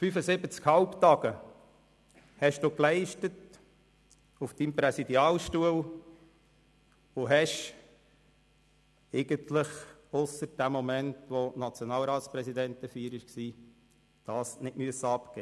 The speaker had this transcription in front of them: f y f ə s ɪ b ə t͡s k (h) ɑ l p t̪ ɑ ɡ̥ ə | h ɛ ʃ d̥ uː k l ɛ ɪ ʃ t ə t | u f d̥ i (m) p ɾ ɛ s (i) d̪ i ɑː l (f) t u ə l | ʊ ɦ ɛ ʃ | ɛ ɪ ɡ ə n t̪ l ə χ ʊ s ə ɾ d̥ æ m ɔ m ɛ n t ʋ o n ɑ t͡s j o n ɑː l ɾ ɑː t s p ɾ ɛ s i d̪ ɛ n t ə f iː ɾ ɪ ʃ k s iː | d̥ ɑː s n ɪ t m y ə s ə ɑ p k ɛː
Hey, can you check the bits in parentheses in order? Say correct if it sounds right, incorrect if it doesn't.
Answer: correct, correct, correct, incorrect: ʃ

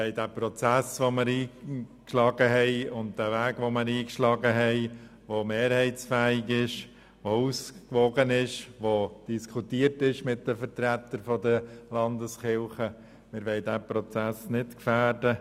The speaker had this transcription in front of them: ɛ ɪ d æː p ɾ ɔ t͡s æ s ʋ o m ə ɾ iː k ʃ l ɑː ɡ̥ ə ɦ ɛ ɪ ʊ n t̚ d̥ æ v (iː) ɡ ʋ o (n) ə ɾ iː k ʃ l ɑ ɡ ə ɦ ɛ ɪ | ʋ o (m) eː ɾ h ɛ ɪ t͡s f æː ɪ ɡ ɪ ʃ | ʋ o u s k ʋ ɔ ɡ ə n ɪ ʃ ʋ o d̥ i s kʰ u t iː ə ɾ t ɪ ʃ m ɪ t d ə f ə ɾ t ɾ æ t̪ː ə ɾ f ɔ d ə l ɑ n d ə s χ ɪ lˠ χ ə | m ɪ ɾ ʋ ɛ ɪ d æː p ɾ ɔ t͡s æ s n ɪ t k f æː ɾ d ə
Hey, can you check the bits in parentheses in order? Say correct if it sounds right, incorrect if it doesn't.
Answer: incorrect: æː, incorrect: m, correct

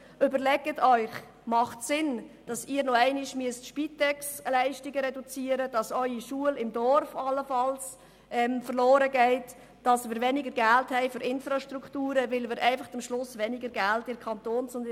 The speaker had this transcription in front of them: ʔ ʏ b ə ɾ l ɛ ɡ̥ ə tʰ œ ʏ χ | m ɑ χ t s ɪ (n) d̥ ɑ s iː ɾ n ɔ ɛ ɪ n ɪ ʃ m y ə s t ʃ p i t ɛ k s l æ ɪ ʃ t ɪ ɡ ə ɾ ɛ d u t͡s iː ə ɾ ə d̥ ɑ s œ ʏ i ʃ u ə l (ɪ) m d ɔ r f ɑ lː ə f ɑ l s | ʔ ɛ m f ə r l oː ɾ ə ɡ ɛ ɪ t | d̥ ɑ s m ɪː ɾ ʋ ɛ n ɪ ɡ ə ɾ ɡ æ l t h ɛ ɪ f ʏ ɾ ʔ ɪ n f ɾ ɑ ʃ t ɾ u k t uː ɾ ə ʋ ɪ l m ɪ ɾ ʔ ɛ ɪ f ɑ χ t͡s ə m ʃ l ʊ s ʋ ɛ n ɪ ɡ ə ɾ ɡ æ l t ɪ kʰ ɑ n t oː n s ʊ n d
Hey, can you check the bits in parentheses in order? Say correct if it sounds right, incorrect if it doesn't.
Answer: correct, correct

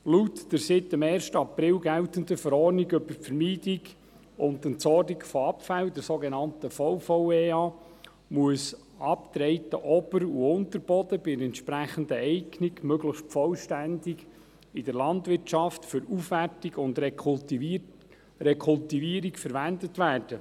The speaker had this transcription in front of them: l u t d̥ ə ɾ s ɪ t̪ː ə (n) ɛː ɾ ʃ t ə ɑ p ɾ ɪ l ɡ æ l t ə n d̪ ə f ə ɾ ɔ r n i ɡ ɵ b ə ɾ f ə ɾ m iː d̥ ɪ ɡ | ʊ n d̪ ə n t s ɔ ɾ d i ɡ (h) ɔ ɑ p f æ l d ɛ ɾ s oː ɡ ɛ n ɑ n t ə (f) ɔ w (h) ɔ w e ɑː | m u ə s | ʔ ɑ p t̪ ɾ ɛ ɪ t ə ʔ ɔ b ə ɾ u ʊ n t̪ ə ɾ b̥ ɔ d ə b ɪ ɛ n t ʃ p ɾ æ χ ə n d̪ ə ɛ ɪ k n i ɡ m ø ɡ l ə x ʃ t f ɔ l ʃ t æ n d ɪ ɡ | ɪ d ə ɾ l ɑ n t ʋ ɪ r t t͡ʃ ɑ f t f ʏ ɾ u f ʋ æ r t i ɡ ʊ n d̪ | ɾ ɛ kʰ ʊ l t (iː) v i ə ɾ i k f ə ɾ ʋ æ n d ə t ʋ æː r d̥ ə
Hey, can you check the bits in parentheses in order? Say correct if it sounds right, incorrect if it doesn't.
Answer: incorrect: m, incorrect: f, correct, incorrect: f, incorrect: i

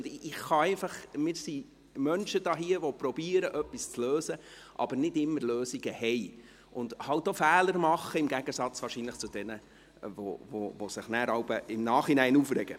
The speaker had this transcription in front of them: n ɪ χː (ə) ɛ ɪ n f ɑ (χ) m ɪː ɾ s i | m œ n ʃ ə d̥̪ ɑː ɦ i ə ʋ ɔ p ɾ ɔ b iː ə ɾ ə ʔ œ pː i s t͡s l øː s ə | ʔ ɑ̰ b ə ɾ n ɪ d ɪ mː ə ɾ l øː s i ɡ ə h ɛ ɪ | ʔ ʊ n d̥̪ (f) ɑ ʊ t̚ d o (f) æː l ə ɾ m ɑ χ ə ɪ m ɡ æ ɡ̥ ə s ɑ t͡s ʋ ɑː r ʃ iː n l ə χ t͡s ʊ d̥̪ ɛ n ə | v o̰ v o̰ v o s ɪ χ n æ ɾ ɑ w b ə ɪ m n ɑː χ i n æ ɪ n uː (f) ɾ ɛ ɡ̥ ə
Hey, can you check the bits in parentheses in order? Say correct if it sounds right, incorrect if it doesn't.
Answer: incorrect: ɑ, correct, incorrect: h, correct, correct

